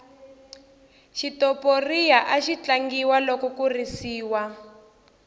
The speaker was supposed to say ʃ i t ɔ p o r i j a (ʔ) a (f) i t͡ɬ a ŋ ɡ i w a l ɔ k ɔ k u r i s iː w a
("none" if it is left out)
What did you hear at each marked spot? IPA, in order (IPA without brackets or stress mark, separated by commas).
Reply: ʔ, ʃ